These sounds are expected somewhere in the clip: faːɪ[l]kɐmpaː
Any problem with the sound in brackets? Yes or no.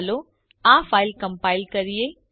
no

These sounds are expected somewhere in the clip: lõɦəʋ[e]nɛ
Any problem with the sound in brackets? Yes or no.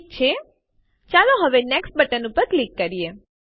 no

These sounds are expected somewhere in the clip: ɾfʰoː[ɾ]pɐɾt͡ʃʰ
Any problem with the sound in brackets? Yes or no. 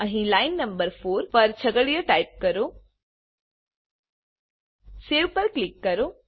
no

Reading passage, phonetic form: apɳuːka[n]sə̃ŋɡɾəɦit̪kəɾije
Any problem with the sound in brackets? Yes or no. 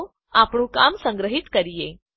yes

